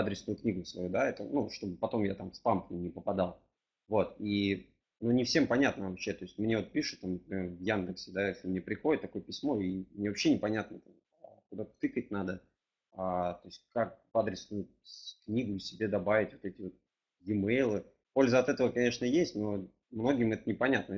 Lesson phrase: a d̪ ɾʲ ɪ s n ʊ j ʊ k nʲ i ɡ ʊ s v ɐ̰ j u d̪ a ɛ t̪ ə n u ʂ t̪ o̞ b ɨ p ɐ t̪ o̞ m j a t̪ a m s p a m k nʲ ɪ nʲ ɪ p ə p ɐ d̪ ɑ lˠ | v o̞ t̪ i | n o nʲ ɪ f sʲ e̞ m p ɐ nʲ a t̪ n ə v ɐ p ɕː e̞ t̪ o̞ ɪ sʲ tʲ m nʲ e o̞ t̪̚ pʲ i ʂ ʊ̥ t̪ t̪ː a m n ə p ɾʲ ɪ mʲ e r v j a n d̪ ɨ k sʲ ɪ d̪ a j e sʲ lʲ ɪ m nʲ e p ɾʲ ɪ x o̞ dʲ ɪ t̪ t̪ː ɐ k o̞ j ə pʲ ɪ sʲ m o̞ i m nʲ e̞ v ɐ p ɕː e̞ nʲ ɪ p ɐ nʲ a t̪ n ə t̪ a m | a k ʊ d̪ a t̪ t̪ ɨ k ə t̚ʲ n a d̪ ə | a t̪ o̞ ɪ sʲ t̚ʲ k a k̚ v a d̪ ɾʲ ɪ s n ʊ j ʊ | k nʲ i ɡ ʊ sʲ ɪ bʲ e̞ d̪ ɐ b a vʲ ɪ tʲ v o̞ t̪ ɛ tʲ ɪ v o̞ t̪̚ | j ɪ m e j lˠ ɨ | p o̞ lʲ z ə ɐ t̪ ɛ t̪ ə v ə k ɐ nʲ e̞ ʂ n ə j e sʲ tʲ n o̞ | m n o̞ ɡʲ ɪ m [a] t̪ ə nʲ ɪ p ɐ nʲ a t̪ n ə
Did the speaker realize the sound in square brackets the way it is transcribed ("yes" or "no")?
no